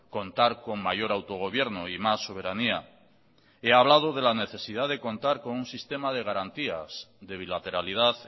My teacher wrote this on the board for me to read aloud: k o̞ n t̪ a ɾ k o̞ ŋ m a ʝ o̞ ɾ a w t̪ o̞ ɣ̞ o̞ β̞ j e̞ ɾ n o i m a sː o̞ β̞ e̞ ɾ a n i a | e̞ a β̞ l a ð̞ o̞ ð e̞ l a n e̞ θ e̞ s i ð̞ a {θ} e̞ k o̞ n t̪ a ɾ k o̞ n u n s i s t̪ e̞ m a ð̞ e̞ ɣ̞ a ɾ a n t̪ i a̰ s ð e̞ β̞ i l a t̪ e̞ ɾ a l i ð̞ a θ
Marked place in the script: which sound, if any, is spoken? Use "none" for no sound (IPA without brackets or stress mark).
ð